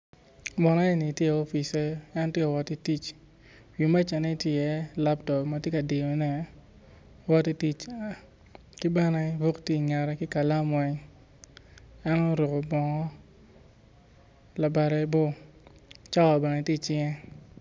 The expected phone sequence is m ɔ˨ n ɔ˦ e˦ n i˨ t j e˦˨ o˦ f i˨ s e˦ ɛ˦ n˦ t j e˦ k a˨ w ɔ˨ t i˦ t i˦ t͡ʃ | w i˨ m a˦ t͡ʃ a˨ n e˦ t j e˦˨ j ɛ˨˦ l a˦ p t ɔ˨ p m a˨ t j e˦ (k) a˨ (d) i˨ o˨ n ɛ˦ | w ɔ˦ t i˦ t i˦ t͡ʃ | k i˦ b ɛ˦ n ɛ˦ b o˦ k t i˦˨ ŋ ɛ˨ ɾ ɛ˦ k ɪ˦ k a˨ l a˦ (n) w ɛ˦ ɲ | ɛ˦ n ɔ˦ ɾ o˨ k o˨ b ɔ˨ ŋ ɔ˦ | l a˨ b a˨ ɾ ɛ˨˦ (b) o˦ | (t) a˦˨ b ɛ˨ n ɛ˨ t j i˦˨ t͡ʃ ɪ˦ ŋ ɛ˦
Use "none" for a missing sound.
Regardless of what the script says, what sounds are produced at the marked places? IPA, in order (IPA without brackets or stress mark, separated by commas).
k, d, m, b, t͡ʃ